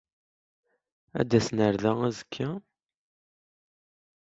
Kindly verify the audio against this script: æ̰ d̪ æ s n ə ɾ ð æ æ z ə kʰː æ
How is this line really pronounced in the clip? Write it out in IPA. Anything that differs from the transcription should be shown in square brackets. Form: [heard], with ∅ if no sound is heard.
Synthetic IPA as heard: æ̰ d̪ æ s n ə ɾ ð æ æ z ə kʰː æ